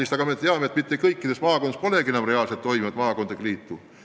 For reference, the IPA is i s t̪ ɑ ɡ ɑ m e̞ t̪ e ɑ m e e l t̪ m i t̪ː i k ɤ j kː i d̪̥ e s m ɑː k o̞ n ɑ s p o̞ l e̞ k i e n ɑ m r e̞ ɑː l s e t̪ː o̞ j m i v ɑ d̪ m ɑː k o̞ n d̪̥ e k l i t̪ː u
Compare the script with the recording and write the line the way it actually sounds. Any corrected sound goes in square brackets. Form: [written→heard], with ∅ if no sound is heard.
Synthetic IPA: i s t̪ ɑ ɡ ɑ m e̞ t̪ e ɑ m e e [l→∅] t̪ m i t̪ː [i→e] k ɤ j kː i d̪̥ e s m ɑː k o̞ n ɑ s p o̞ l e̞ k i e n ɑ m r e̞ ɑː l s e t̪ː o̞ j m i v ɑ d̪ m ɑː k o̞ n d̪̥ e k l [i→iː] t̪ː u